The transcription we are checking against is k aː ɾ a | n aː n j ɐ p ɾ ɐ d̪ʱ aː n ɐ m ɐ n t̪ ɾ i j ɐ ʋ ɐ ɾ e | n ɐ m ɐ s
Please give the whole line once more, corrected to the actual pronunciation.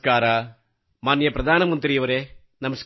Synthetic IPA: k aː ɾ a | m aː n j ɐ p ɾ ɐ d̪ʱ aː n ɐ m ɐ n t̪ ɾ i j ɐ ʋ ɐ ɾ e | n ɐ m ɐ s